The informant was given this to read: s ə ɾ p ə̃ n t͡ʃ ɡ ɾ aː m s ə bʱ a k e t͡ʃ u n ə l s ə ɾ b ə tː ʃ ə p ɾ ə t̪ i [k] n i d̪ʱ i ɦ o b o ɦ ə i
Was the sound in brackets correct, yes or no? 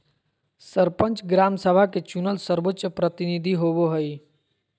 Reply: no